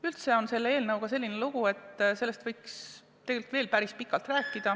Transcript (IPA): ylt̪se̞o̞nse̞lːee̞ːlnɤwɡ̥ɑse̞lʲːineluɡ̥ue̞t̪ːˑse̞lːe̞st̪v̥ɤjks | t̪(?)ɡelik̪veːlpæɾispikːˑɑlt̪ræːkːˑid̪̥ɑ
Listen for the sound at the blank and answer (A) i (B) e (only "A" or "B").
B